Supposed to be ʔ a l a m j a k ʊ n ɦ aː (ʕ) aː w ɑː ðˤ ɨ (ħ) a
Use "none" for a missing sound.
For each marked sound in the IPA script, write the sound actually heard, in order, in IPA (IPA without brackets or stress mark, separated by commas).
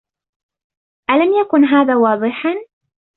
ð, ħ